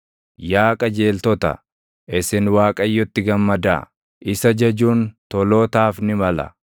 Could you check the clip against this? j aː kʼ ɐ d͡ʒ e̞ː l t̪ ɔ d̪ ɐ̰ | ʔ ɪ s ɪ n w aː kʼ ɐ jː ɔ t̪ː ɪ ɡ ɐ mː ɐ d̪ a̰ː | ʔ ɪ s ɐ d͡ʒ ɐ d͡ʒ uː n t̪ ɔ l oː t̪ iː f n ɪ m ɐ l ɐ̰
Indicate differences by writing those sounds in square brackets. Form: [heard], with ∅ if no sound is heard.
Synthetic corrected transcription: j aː kʼ ɐ d͡ʒ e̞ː l t̪ ɔ [t̪] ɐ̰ | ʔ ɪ s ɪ n w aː kʼ ɐ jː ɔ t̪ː ɪ ɡ ɐ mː ɐ d̪ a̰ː | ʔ ɪ s ɐ d͡ʒ ɐ d͡ʒ uː n t̪ ɔ l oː t̪ [aː] f n ɪ m ɐ l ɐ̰